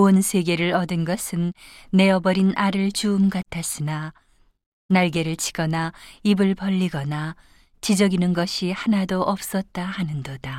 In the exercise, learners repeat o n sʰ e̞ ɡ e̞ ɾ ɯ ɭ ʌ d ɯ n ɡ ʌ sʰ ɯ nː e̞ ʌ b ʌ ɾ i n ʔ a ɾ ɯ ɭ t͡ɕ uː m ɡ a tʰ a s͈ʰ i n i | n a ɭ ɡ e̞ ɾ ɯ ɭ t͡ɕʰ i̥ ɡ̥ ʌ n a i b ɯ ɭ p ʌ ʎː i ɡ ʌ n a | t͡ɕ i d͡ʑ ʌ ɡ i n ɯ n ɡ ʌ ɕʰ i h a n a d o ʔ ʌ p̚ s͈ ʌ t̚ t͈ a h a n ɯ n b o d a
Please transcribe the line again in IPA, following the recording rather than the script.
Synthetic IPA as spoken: o n sʰ e̞ ɡ e̞ ɾ ɯ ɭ ʌ d ɯ n ɡ ʌ sʰ ɯ nː e̞ ʌ b ʌ ɾ i n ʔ a ɾ ɯ ɭ t͡ɕ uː m ɡ a tʰ a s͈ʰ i n a | n a ɭ ɡ e̞ ɾ ɯ ɭ t͡ɕʰ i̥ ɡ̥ ʌ n a i b ɯ ɭ p ʌ ʎː i ɡ ʌ n a | t͡ɕ i d͡ʑ ʌ ɡ i n ɯ n ɡ ʌ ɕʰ i h a n a d o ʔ ʌ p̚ s͈ ʌ t̚ t͈ a h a n ɯ n d o d a